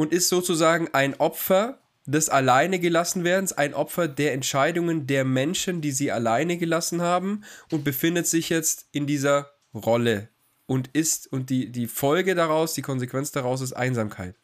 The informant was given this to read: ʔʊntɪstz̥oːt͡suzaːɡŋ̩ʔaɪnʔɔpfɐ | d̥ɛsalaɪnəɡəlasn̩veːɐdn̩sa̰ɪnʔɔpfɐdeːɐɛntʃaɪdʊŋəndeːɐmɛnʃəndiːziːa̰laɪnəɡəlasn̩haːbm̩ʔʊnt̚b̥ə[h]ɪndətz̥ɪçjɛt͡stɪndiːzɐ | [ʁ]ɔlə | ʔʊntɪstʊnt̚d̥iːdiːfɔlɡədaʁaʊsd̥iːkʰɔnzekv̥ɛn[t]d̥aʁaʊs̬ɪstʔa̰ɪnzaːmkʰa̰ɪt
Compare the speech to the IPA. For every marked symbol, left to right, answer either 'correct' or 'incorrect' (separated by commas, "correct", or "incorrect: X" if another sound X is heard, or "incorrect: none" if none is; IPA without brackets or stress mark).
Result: incorrect: f, correct, incorrect: t͡s